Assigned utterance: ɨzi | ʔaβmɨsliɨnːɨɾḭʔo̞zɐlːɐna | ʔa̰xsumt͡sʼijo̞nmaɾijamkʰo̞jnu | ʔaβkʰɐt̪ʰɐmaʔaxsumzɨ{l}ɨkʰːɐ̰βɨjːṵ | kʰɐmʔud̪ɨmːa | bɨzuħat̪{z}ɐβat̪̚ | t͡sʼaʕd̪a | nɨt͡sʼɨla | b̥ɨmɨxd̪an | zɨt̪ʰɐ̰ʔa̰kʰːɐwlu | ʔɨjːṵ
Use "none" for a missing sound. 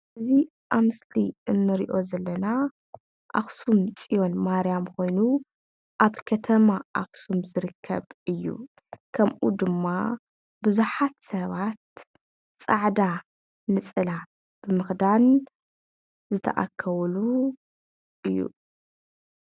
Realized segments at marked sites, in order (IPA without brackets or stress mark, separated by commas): ɾ, s